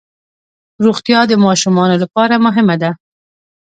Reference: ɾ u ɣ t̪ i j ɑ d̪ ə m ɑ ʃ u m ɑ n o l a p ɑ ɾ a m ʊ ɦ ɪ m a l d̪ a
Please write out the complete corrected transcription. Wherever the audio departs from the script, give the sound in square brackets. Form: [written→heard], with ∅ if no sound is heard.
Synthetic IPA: ɾ u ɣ t̪ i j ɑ d̪ ə m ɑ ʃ u m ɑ n o l a p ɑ ɾ a m ʊ ɦ ɪ m a [l→∅] d̪ a